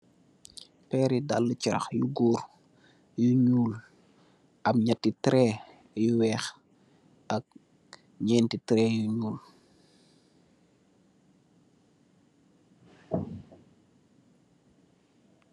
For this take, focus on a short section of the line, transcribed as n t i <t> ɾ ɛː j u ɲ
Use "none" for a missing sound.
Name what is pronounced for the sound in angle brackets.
t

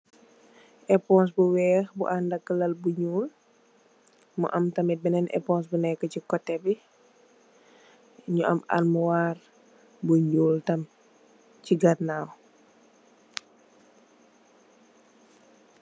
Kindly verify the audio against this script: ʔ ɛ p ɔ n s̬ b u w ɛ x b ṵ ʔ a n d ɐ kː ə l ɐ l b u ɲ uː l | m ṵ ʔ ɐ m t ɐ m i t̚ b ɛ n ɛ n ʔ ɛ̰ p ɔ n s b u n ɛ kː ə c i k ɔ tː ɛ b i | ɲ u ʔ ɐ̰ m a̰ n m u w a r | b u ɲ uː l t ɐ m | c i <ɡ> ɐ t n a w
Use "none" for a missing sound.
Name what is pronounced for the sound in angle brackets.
ɡ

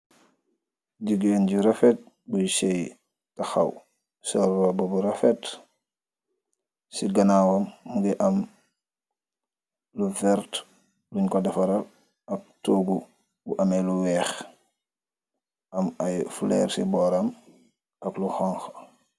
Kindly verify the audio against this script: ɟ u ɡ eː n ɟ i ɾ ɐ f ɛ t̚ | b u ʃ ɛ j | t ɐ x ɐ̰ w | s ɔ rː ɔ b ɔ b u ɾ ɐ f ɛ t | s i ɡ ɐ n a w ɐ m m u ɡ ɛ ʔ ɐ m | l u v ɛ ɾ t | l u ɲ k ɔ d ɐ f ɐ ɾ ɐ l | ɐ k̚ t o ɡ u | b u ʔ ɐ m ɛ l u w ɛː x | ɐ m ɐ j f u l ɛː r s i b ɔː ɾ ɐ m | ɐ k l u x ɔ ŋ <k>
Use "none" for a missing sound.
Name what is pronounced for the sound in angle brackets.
x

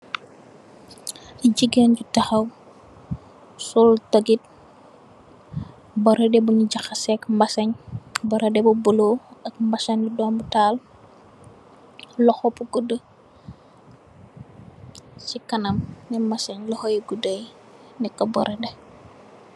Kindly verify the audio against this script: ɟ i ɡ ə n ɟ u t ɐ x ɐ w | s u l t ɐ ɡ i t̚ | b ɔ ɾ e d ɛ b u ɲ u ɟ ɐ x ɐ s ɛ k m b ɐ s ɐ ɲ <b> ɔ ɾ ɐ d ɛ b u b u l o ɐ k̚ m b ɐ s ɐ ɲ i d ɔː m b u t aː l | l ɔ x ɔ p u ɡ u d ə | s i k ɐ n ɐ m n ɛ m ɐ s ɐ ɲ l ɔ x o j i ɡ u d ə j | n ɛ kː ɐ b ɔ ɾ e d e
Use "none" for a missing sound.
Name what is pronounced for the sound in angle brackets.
b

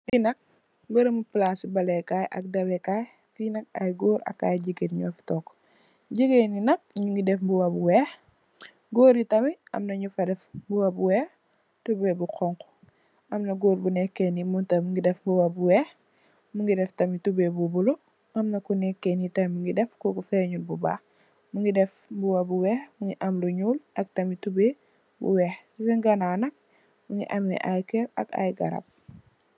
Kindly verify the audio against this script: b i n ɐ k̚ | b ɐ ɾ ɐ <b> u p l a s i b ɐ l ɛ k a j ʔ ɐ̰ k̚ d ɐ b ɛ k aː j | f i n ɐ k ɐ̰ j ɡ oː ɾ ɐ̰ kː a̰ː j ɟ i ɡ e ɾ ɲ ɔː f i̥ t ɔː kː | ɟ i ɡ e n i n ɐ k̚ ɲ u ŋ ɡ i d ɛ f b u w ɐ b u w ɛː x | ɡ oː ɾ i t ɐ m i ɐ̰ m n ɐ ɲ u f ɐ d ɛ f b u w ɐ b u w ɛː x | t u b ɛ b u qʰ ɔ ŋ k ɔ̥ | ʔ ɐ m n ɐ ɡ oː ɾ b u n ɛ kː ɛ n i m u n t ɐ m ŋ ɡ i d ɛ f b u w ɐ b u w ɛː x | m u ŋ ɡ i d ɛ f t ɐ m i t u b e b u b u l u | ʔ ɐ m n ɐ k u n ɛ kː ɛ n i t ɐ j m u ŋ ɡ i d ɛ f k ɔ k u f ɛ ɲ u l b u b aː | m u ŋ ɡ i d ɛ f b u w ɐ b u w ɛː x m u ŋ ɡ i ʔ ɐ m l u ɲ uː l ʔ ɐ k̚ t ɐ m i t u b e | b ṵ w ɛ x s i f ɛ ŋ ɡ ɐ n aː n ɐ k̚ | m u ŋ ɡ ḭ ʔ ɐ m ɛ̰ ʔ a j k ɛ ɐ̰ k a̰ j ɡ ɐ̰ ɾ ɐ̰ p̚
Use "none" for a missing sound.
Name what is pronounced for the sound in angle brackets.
m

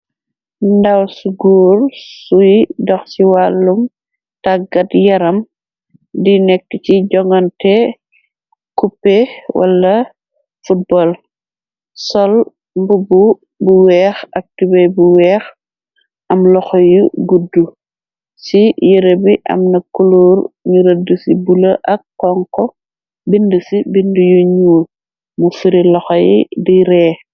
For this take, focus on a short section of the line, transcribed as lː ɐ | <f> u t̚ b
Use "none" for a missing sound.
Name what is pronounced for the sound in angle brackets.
f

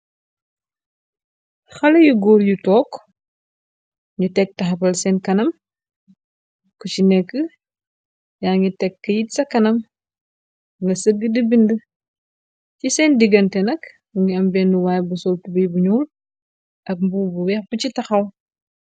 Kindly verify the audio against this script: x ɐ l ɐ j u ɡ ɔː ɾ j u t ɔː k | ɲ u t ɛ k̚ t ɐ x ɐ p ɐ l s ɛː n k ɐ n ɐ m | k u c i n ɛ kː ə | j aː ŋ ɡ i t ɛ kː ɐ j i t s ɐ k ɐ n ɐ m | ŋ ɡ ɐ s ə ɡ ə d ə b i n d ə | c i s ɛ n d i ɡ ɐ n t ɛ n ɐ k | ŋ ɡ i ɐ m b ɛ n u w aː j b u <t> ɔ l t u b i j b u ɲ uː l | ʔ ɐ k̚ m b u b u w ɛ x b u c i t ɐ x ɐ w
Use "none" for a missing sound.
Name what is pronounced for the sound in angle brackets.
s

